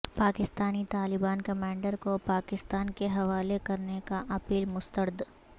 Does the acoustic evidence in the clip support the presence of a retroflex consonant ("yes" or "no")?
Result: yes